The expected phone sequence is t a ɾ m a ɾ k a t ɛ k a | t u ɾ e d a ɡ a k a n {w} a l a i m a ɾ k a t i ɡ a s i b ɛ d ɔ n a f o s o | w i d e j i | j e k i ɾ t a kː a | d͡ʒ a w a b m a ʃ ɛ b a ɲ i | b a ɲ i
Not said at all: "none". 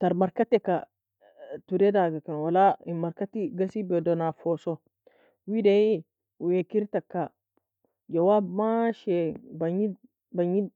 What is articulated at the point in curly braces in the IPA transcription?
w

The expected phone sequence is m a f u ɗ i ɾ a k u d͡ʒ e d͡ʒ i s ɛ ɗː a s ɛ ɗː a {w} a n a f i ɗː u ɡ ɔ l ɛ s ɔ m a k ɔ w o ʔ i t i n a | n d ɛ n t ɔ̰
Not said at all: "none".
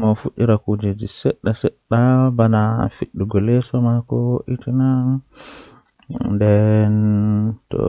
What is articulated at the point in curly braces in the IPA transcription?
b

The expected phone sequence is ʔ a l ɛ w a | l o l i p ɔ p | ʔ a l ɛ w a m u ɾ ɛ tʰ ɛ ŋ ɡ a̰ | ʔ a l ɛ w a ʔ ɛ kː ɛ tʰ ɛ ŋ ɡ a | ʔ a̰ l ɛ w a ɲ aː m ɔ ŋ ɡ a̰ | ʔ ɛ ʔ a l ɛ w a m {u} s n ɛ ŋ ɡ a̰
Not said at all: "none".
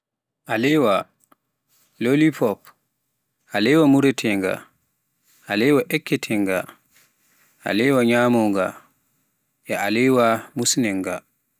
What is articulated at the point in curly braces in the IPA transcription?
u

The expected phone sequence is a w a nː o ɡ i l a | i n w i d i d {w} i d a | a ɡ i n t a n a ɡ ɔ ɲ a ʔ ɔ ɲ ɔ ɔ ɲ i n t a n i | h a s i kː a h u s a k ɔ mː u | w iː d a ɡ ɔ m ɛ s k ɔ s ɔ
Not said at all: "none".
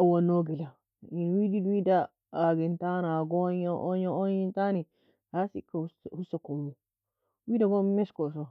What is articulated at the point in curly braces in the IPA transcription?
w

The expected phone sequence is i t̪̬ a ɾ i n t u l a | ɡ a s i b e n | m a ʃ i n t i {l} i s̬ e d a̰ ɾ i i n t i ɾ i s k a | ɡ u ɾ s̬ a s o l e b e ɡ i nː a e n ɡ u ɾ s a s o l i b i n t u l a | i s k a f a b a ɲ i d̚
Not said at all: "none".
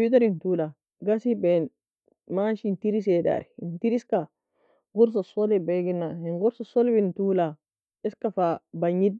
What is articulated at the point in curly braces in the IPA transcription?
ɾ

